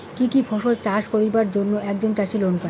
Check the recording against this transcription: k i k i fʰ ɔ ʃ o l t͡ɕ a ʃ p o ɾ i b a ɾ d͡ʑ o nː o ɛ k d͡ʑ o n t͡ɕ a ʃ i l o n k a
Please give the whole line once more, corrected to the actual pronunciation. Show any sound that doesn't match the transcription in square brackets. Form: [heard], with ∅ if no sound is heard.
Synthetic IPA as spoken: k i k i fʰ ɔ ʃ o l t͡ɕ a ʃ p o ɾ i b a ɾ d͡ʑ o nː o ɛ k d͡ʑ o n t͡ɕ a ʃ i l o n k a